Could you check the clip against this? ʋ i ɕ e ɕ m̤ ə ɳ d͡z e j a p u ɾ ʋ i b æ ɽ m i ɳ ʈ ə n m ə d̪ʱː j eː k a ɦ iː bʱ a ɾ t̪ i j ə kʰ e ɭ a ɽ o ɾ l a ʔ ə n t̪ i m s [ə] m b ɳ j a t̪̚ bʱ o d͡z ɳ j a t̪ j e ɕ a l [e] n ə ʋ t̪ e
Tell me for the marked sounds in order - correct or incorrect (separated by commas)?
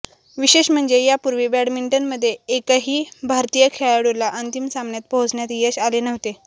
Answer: incorrect, correct